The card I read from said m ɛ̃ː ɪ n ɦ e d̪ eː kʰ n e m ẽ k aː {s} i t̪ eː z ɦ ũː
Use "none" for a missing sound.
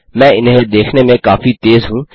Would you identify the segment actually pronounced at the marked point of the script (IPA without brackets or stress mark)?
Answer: f